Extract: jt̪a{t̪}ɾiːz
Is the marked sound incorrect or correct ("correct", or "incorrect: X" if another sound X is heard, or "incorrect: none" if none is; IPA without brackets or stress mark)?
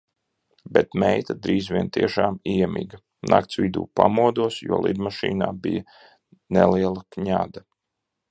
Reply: incorrect: d̪